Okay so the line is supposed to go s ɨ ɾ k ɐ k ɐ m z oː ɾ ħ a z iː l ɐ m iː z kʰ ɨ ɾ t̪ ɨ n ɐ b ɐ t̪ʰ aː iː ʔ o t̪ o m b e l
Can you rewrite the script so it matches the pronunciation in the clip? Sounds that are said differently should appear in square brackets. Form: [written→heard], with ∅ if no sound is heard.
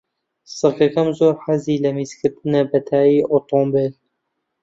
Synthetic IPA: s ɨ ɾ k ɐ k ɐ m z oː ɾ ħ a z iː l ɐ m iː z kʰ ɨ ɾ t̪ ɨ n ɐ b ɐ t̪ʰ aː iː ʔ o t̪ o m b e l